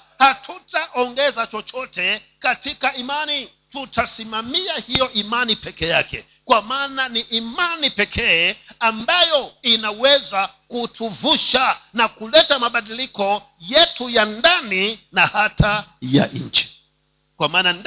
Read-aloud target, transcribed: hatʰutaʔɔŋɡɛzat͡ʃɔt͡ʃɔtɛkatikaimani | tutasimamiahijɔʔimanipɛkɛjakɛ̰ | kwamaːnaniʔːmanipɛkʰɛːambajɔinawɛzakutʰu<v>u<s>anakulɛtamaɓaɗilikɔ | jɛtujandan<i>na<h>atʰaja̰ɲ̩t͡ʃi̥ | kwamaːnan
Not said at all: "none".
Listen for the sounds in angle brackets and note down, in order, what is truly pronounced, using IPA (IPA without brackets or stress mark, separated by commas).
v, ʃ, i, h